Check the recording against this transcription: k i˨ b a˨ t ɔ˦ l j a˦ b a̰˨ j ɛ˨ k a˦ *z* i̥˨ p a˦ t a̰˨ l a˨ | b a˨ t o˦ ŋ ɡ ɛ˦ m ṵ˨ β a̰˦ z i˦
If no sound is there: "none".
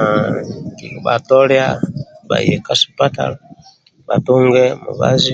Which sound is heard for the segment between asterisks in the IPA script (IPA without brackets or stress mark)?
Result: s